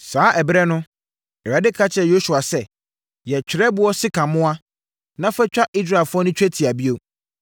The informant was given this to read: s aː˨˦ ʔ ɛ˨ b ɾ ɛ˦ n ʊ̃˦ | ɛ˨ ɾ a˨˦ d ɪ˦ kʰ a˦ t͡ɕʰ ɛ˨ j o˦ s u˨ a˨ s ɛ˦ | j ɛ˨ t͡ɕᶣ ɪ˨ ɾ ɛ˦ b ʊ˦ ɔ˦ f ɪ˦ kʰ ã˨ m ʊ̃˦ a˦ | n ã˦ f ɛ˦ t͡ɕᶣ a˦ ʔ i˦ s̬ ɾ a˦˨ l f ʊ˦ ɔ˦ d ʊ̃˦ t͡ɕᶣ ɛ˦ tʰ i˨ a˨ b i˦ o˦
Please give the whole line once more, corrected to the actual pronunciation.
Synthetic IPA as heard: s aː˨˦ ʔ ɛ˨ b ɾ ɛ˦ n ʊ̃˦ | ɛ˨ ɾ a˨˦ d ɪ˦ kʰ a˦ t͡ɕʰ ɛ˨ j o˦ s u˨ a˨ s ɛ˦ | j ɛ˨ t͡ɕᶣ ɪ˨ ɾ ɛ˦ b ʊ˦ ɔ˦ s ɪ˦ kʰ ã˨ m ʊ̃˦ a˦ | n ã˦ f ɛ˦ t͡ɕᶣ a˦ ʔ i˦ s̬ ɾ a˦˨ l f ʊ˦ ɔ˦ n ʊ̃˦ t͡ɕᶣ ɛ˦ tʰ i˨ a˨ b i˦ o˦